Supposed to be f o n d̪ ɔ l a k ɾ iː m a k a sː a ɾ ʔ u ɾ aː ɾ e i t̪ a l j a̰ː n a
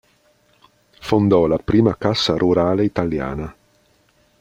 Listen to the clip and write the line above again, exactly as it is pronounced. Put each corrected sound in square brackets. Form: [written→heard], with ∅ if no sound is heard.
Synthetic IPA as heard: f o n d̪ ɔ l a [k→p] ɾ iː m a k a sː a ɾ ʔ u ɾ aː [ɾ→l] e i t̪ a l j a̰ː n a